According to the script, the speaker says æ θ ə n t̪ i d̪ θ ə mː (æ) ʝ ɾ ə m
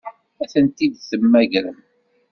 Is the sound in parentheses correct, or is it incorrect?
correct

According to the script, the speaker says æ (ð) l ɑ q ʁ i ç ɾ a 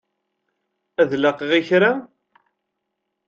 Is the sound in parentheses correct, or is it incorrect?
correct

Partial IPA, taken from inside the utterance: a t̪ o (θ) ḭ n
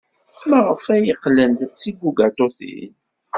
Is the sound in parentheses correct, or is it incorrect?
correct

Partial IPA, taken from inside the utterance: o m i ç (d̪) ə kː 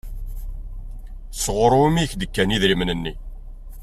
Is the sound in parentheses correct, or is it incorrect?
correct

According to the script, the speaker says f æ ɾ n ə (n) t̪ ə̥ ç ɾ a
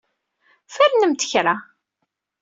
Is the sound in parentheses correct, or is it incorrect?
incorrect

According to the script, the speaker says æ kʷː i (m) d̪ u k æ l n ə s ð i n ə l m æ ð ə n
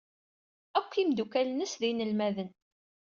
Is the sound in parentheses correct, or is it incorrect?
correct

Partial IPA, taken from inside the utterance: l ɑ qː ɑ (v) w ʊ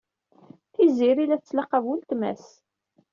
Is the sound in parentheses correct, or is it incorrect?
correct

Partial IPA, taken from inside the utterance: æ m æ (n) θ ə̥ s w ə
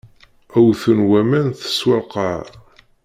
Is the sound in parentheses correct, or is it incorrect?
correct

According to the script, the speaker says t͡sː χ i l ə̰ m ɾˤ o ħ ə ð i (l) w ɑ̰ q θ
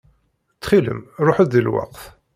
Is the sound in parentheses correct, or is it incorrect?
correct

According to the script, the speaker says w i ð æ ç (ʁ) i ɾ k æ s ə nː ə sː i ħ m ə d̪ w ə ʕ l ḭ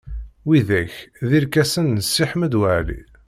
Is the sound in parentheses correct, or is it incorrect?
incorrect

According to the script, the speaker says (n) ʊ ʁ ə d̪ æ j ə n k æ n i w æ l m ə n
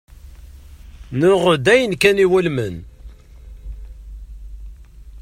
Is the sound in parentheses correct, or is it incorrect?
correct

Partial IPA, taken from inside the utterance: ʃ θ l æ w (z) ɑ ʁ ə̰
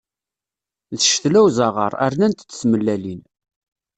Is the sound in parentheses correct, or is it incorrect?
correct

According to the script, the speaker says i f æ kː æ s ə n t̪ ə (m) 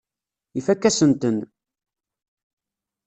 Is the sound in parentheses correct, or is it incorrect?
incorrect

